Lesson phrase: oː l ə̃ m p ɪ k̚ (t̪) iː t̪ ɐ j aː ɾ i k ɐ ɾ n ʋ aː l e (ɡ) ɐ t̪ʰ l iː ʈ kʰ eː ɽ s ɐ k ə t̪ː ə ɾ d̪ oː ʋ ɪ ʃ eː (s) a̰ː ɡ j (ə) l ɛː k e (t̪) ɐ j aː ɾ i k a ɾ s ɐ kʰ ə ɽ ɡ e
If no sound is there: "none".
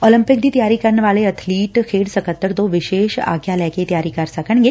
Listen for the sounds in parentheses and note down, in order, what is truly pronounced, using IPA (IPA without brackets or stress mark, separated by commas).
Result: d̪, none, ʃ, a, t̪